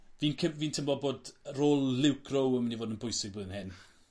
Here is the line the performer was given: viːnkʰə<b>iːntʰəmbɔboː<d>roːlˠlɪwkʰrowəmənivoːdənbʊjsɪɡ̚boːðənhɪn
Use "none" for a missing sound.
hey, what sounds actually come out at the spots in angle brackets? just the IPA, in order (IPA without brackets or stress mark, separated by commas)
v, d